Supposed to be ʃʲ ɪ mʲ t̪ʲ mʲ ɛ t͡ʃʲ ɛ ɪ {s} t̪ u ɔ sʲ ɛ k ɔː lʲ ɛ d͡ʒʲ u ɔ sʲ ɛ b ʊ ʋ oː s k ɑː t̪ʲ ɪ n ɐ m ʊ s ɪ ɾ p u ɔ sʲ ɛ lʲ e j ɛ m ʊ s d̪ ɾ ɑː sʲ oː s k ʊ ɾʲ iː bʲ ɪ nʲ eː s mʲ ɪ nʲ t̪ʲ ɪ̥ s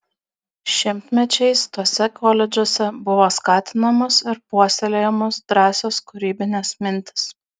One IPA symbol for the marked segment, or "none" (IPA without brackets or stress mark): s